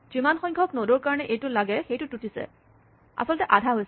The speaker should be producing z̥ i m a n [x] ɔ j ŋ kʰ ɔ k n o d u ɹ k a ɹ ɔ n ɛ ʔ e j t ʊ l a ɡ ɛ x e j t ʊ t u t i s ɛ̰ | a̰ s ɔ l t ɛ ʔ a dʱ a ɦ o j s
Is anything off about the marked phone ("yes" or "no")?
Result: no